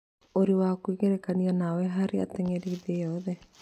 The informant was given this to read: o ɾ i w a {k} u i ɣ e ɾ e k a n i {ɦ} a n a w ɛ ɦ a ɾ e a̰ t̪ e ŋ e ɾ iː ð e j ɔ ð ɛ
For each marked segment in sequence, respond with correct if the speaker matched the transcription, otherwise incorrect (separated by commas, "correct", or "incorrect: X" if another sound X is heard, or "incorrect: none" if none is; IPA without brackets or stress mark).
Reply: correct, incorrect: none